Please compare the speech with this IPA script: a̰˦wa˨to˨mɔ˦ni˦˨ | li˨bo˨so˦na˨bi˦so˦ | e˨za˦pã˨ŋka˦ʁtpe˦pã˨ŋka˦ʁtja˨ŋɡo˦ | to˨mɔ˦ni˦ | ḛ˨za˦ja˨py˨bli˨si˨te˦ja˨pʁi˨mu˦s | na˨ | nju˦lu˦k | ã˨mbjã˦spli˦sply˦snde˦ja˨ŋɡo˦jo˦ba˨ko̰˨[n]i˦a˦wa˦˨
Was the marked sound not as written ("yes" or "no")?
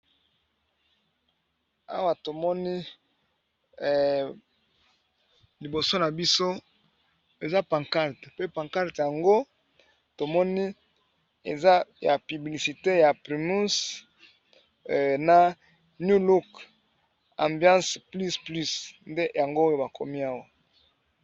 yes